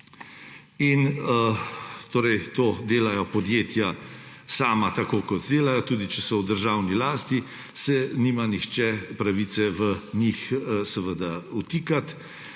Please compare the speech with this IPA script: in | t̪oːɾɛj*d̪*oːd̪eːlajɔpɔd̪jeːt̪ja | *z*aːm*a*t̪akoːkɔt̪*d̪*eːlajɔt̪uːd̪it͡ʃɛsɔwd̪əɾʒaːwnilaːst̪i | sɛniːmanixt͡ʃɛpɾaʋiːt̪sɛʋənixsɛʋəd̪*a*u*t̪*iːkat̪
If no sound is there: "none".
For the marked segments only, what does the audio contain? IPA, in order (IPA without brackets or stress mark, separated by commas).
t̪, s, a, d̪, a, t̪